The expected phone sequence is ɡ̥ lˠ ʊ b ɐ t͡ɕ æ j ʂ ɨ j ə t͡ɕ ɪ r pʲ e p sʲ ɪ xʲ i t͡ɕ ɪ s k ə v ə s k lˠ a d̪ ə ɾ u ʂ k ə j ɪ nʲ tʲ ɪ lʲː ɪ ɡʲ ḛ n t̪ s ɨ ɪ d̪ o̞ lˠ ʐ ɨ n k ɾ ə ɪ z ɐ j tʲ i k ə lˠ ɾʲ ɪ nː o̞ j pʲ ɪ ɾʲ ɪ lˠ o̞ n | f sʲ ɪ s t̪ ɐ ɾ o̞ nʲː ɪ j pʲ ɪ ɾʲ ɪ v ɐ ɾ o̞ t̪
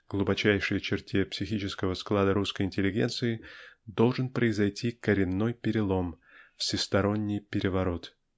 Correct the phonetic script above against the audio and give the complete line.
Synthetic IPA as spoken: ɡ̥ lˠ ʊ b ɐ t͡ɕ æ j ʂ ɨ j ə t͡ɕ ɪ r tʲ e p sʲ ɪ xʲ i t͡ɕ ɪ s k ə v ə s k lˠ a d̪ ə ɾ u s k ə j ɪ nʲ tʲ ɪ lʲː ɪ ɡʲ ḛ n t̪ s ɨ ɪ d̪ o̞ lˠ ʐ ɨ n p ɾ ə ɪ z ɐ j tʲ i k ə ɾʲ ɪ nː o̞ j pʲ ɪ ɾʲ ɪ lˠ o̞ m | f sʲ ɪ s t̪ ɐ ɾ o̞ nʲː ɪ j pʲ ɪ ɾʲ ɪ v ɐ ɾ o̞ t̪